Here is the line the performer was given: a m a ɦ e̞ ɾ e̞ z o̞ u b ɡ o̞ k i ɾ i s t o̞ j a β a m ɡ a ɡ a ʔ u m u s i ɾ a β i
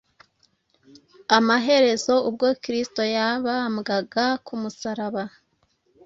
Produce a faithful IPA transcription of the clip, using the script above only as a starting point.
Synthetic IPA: a m a ɦ e̞ ɾ e̞ z o̞ u b ɡ o̞ k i ɾ i s t o̞ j a β a m ɡ a ɡ a k u m u s a ɾ a β a